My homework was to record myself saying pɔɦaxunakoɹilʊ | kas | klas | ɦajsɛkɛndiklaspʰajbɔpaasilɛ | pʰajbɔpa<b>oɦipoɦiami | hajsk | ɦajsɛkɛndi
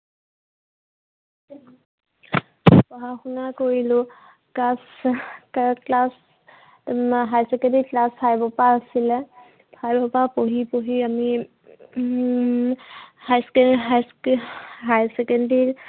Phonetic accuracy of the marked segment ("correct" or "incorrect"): incorrect